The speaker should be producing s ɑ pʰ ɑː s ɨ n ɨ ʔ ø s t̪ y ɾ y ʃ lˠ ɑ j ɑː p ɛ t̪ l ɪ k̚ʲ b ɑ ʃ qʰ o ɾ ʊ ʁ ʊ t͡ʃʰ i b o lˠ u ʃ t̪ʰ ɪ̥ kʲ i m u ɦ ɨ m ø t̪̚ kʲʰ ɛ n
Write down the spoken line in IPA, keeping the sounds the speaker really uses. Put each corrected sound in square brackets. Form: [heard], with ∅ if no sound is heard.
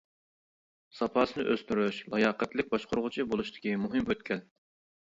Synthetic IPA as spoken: s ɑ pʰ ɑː s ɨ n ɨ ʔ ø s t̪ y ɾ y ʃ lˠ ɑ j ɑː [q] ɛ t̪ l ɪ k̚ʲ b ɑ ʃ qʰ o ɾ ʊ ʁ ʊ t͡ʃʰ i b o lˠ u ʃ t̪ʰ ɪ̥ kʲ i m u ɦ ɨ m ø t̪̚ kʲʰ ɛ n